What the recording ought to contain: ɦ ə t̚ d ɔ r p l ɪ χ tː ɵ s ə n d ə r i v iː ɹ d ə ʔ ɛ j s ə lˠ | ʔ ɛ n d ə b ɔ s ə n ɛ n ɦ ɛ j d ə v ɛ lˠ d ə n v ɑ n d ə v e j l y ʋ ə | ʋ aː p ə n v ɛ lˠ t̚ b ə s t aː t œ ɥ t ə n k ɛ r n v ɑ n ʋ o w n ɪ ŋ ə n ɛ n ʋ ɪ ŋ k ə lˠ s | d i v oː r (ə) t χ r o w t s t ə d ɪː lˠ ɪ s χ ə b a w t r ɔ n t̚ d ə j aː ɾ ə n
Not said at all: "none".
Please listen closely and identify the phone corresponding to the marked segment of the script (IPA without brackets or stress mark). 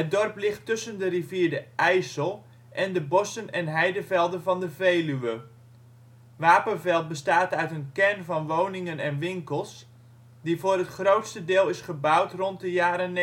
ə